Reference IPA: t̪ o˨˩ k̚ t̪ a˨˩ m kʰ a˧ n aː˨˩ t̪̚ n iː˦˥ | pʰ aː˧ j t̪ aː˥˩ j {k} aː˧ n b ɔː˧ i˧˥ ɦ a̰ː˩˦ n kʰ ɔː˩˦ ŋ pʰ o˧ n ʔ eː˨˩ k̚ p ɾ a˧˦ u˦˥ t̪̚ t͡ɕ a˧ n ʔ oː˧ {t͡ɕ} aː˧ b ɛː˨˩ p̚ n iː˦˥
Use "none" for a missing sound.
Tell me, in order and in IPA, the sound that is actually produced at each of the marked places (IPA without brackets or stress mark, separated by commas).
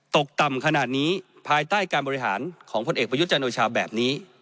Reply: k, t͡ɕʰ